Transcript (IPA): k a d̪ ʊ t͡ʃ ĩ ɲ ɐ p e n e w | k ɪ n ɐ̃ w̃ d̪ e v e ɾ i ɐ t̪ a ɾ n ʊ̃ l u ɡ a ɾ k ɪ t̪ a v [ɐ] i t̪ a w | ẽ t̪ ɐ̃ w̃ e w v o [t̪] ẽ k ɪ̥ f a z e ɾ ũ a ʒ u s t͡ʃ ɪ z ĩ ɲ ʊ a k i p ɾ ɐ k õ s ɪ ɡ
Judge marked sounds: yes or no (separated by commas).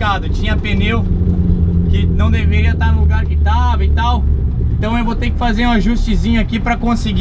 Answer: yes, yes